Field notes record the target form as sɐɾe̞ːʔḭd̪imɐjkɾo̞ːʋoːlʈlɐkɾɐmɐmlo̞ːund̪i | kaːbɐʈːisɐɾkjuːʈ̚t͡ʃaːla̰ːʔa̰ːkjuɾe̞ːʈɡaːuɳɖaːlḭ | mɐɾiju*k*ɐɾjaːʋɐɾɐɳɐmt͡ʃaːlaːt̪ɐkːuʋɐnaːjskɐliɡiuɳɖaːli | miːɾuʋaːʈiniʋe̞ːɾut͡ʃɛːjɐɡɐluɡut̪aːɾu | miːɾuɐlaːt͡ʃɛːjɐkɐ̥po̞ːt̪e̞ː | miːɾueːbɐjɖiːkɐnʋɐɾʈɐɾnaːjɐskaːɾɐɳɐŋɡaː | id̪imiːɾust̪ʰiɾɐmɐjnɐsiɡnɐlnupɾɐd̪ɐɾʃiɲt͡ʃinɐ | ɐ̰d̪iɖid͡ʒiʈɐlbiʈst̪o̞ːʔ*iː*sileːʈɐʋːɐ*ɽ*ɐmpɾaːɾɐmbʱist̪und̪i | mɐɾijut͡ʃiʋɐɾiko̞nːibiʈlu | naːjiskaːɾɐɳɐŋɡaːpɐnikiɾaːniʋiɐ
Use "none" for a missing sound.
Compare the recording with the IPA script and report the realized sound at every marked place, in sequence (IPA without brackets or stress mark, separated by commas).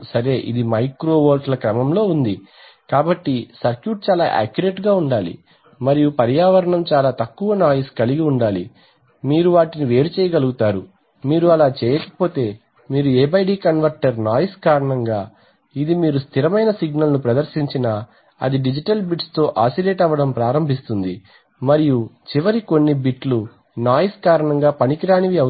p, aː, ɽ